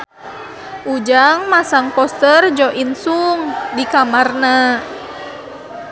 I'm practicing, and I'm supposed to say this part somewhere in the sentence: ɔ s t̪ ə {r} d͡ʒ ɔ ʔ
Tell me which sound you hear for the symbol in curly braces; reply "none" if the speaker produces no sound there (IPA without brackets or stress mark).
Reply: r